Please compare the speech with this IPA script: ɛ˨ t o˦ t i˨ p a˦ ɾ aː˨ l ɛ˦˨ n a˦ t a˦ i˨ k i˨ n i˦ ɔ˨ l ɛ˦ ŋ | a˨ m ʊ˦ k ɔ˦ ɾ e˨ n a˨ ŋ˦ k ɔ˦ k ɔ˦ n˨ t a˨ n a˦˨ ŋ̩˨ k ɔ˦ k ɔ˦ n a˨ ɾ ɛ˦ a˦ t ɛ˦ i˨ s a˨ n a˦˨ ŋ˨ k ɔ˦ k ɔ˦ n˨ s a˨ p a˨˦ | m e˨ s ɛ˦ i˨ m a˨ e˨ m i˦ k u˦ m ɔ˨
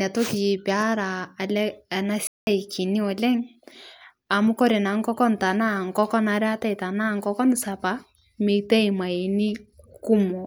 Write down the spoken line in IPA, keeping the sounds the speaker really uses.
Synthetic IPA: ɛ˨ t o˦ k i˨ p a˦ ɾ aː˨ l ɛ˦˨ n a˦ s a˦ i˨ k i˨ n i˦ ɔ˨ l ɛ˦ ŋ | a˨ m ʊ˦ k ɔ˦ ɾ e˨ n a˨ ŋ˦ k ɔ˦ k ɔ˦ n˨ t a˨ n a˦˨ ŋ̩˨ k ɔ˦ k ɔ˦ n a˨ ɾ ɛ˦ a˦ t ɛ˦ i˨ t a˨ n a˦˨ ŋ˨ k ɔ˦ k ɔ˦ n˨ s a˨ p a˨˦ | m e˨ t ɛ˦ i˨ m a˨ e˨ n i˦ k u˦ m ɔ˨